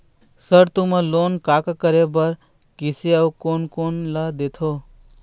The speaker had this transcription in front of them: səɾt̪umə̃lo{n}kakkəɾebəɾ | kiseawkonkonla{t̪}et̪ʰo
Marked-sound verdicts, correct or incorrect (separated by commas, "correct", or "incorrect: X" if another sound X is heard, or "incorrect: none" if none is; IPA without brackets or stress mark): correct, incorrect: d̪